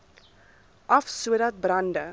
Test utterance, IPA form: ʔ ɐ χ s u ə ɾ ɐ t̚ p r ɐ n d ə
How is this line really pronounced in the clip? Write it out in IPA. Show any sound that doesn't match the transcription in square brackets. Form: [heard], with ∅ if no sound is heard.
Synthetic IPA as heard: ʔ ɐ [f] s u ə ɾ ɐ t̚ [b] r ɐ n d ə